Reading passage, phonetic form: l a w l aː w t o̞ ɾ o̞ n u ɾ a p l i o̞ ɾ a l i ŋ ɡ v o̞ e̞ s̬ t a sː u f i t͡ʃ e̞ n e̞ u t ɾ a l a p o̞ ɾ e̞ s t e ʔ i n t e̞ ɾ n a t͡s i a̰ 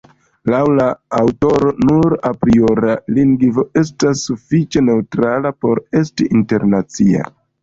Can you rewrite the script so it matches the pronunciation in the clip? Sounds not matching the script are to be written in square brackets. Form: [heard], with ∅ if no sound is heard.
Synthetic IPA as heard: l a w l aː w t o̞ ɾ o̞ n u ɾ a p [ɾ] i o̞ ɾ a l i ŋ ɡ v o̞ e̞ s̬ t a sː u f i t͡ʃ e̞ n e̞ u t ɾ a l a p o̞ ɾ e̞ s t [i] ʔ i n t e̞ ɾ n a t͡s i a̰

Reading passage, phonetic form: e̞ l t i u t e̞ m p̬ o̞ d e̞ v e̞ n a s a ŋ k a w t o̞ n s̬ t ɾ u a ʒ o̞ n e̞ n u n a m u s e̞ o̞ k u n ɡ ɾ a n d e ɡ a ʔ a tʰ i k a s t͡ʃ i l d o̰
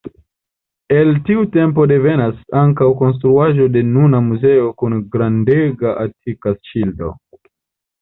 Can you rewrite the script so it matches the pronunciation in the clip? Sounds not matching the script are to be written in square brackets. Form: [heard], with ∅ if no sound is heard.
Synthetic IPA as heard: e̞ l t i u t e̞ m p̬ o̞ d e̞ v e̞ n a s a ŋ k a w [k] o̞ n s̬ t ɾ u a ʒ o̞ [d] e̞ n u n a m u [z] e̞ o̞ k u n ɡ ɾ a n d e ɡ a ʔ a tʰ i k a s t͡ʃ i l d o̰

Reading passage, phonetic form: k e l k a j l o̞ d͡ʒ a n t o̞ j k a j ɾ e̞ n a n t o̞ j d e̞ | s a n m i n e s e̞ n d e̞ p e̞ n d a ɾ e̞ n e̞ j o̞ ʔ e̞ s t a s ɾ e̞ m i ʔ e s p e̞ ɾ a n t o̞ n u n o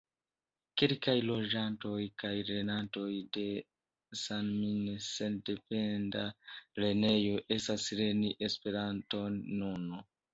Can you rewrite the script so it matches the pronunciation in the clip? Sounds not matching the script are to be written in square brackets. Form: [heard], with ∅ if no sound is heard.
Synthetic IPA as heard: k e l k a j l o̞ d͡ʒ a n t o̞ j k a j ɾ e̞ n a n t o̞ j d e̞ | s a n m i n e s e̞ n d e̞ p e̞ n d a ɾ e̞ n e̞ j o̞ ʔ e̞ s t a s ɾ e̞ [n] i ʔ e s p e̞ ɾ a n t o̞ [nː] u n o

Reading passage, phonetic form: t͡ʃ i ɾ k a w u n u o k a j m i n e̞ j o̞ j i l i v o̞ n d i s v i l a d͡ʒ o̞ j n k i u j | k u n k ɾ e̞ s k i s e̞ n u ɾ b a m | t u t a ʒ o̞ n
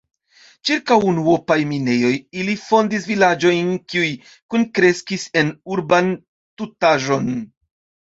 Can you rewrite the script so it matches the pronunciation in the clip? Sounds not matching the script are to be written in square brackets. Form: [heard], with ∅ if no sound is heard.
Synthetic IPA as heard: t͡ʃ i ɾ k a w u n u o [p] a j m i n e̞ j o̞ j i l i [f] o̞ n d i s v i l a d͡ʒ o̞ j n k i u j | k u n k ɾ e̞ s k i s e̞ n u ɾ b a [n] | t u t a ʒ o̞ n

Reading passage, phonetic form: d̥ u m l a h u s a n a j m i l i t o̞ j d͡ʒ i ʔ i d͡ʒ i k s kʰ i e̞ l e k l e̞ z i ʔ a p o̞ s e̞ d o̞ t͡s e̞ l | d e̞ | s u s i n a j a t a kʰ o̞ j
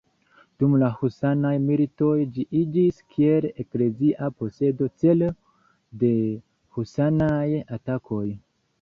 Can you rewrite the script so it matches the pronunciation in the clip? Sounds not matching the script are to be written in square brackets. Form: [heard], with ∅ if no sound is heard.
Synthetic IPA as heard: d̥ u m l a h u s a n a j m i l i t o̞ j d͡ʒ i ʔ i d͡ʒ i [∅] s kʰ i e̞ l e k l e̞ z i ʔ a p o̞ s e̞ d o̞ t͡s e̞ l | d e̞ | [h] u s [a] n a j a t a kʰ o̞ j

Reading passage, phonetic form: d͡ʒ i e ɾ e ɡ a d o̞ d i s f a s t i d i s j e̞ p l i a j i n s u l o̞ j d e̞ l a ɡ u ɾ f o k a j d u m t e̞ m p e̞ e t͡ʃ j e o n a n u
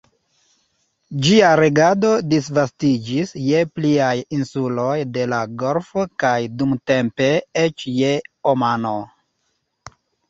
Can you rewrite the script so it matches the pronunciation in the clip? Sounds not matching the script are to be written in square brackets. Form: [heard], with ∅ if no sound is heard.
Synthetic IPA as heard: d͡ʒ i [a] ɾ e ɡ a d o̞ d i s [v] a s t i [d͡ʒ] i s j e̞ p l i a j i n s u l o̞ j d e̞ l a ɡ [o] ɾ f o k a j d u m t e̞ m p e̞ e t͡ʃ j e o [m] a n [o]

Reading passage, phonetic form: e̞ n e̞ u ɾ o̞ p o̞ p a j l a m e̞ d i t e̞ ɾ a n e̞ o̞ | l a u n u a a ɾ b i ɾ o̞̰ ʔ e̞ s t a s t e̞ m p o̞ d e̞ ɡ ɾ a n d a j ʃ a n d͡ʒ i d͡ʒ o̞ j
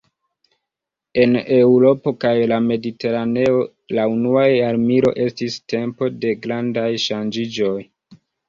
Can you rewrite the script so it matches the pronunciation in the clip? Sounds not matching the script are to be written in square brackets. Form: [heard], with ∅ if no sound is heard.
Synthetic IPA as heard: e̞ n e̞ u ɾ o̞ p o̞ [k] a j l a m e̞ d i t e̞ ɾ a n e̞ o̞ | l a u n u a a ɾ [m] i ɾ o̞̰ ʔ e̞ s t [i] s t e̞ m p o̞ d e̞ ɡ ɾ a n d a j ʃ a n d͡ʒ i d͡ʒ o̞ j

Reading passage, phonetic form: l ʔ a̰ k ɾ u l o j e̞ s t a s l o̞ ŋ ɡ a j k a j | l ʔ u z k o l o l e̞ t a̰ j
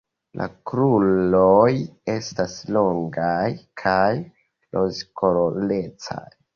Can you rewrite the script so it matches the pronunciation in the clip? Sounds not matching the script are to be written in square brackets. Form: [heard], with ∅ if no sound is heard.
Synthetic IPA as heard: l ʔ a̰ k ɾ u l o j e̞ s t a s l o̞ ŋ ɡ a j [kʰ] a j | l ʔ [o] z k o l o l e̞ [t͡s] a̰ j

